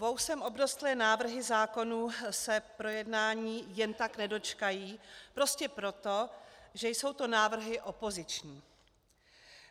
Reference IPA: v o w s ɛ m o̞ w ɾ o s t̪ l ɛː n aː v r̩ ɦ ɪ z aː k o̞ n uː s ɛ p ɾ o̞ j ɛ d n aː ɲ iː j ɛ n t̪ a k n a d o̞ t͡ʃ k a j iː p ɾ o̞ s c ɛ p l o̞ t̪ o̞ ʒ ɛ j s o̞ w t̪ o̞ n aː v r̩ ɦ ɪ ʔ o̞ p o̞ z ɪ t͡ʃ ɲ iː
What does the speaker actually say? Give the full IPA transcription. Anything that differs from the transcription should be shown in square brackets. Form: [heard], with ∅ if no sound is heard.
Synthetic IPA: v o w s ɛ m o̞ [b] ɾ o s t̪ l ɛː n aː v r̩ ɦ ɪ z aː k o̞ n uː s ɛ p ɾ o̞ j ɛ d n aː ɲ iː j ɛ n t̪ a k n [ɛ] d o̞ t͡ʃ k a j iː p ɾ o̞ s c ɛ p [ɾ] o̞ t̪ o̞ ʒ ɛ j s o̞ w t̪ o̞ n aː v r̩ ɦ ɪ ʔ o̞ p o̞ z ɪ t͡ʃ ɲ iː

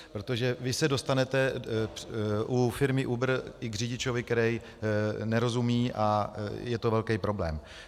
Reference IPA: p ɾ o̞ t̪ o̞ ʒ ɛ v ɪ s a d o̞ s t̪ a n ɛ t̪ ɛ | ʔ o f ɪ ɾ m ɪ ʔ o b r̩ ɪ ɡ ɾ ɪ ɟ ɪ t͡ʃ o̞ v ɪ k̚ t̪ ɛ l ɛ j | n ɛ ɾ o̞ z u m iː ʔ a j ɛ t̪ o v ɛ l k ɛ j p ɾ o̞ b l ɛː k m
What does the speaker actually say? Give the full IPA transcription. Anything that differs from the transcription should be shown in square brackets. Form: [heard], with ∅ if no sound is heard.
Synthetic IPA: p ɾ o̞ t̪ o̞ ʒ ɛ v ɪ s [ɛ] d o̞ s t̪ a n ɛ t̪ ɛ | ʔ [u] f ɪ ɾ m ɪ ʔ [u] b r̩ ɪ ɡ [r] ɪ ɟ ɪ t͡ʃ o̞ v ɪ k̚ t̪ ɛ [ɾ] ɛ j | n ɛ ɾ o̞ z u m iː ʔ a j ɛ t̪ o v ɛ l k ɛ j p ɾ o̞ b l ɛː [∅] m

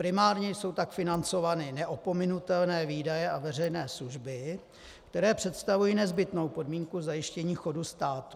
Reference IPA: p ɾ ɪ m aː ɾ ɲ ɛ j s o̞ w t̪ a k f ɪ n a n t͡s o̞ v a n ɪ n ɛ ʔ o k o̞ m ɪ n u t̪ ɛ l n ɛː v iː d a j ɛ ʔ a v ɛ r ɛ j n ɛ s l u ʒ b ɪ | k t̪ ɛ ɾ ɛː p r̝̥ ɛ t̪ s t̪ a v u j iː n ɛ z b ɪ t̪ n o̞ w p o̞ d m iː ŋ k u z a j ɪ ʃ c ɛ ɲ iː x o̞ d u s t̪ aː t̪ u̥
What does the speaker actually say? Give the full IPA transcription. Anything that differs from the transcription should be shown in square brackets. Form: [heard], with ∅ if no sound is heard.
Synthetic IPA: p ɾ ɪ m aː ɾ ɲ ɛ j s o̞ w t̪ a k f ɪ n a n t͡s o̞ v a n ɪ n ɛ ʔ o [p] o̞ m ɪ n u t̪ ɛ l n ɛː v iː d a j ɛ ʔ a v ɛ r ɛ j n [ɛː] s l u ʒ b ɪ | k t̪ ɛ ɾ ɛː p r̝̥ ɛ t̪ s t̪ a v u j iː n ɛ z b ɪ t̪ n o̞ w p o̞ d m iː ŋ k u z a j ɪ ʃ c ɛ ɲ iː x o̞ d u s t̪ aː t̪ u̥

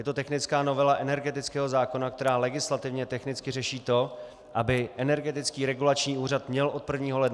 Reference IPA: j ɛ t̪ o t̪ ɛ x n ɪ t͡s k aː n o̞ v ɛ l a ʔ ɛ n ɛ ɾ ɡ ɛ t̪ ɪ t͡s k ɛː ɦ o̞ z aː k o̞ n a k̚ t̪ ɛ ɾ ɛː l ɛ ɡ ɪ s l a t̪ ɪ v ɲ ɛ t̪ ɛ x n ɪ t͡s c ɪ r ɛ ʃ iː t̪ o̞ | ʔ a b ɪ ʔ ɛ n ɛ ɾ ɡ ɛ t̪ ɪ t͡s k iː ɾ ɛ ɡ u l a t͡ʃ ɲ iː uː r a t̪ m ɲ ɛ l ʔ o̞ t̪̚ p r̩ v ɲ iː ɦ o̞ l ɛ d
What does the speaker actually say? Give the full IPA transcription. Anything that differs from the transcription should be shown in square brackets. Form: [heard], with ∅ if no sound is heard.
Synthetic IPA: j ɛ t̪ o t̪ ɛ x n ɪ t͡s k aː n o̞ v ɛ l a ʔ ɛ n ɛ ɾ ɡ ɛ t̪ ɪ t͡s k ɛː ɦ o̞ z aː k o̞ n a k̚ t̪ ɛ ɾ [aː] l ɛ ɡ ɪ s l a t̪ ɪ v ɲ ɛ t̪ ɛ x n ɪ t͡s [k] ɪ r ɛ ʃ iː t̪ o̞ | ʔ a b ɪ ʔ ɛ n ɛ ɾ ɡ ɛ t̪ ɪ t͡s k iː ɾ ɛ ɡ u l a t͡ʃ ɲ iː uː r a t̪ m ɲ ɛ l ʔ o̞ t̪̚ p r̩ v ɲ iː ɦ o̞ l ɛ d

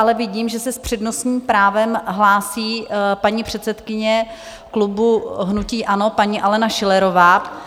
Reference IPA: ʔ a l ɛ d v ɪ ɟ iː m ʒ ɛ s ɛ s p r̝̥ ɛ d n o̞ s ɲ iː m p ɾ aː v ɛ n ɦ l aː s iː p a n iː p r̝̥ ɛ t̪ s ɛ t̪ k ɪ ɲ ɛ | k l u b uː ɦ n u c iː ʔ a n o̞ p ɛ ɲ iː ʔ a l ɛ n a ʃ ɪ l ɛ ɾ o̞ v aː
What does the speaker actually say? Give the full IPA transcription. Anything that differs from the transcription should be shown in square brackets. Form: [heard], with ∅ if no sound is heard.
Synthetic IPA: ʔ a l ɛ [∅] v ɪ ɟ iː m ʒ ɛ s ɛ s p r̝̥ ɛ d n o̞ s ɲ iː m p ɾ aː v ɛ [m] ɦ l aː s iː p a [ɲ] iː p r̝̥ ɛ t̪ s ɛ t̪ k ɪ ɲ ɛ | k l u b [u] ɦ n u c iː ʔ a n o̞ p [a] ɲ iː ʔ a l ɛ n a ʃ ɪ l ɛ ɾ o̞ v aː

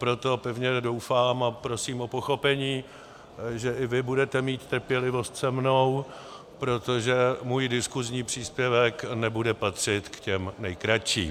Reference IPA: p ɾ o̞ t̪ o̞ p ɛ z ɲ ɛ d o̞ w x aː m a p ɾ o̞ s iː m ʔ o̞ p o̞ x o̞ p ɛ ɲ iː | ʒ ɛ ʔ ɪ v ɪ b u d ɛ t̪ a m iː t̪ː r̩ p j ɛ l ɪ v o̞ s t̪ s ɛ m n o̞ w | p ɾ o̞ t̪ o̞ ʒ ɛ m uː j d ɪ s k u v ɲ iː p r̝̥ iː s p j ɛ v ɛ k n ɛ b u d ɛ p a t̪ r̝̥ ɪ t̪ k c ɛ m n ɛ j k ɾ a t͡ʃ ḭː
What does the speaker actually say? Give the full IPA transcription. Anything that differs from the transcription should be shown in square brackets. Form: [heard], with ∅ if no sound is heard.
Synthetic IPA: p ɾ o̞ t̪ o̞ p ɛ [v] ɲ ɛ d o̞ w [f] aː m a p ɾ o̞ s iː m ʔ o̞ p o̞ x o̞ p ɛ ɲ iː | ʒ ɛ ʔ ɪ v ɪ b u d ɛ t̪ [ɛ] m iː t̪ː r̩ p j ɛ l ɪ v o̞ s t̪ s ɛ m n o̞ w | p ɾ o̞ t̪ o̞ ʒ ɛ m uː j d ɪ s k u [z] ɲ iː p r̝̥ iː s p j ɛ v ɛ k n ɛ b u d ɛ p a t̪ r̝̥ ɪ t̪ k c ɛ m n ɛ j k ɾ a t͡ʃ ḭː

